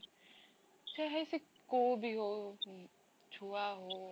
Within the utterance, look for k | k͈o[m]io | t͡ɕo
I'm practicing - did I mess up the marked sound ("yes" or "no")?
yes